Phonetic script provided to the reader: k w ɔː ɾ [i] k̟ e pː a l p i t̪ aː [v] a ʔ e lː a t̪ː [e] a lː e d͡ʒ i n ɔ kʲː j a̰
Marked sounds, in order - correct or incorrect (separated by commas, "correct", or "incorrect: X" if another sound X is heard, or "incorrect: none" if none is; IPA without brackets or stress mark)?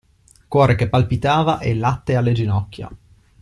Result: incorrect: e, correct, correct